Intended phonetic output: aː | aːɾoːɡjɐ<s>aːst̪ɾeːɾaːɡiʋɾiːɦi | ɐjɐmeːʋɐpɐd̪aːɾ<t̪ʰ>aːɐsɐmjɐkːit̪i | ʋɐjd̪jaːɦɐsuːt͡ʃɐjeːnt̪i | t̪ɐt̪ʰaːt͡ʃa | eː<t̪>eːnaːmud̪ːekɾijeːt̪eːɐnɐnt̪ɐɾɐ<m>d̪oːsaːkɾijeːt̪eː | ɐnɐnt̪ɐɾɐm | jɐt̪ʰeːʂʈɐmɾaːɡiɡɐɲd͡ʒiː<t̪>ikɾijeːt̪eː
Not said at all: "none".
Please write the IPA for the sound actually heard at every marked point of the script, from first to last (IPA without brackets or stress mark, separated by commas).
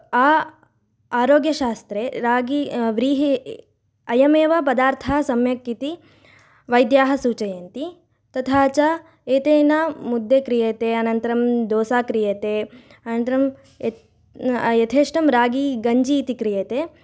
ʃ, t̪ʰ, t̪, m, t̪